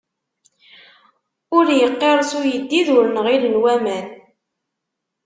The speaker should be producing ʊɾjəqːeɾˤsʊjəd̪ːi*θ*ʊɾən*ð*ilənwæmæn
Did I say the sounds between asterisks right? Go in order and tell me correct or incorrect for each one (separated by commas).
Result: incorrect, incorrect